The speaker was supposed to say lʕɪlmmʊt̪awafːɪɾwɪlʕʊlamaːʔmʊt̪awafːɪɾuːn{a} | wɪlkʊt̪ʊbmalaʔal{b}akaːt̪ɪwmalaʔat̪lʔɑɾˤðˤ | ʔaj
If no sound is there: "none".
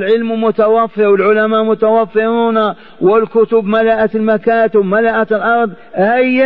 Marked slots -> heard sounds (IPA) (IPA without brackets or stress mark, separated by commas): a, m